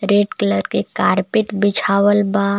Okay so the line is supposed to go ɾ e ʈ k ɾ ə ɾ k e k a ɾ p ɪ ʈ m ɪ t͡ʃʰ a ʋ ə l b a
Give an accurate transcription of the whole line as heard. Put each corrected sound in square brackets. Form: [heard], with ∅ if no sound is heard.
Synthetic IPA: ɾ e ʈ k [l] ə ɾ k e k a ɾ p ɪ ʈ [b] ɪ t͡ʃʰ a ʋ ə l b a